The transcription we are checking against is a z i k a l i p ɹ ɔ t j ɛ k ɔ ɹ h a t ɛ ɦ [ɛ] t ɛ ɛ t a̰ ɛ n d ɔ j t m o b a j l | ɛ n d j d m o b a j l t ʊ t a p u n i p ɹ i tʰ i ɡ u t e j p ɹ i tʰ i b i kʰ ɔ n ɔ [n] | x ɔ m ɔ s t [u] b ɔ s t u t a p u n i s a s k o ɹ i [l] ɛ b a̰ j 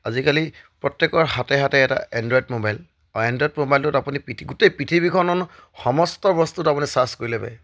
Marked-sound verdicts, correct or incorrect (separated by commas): incorrect, correct, incorrect, correct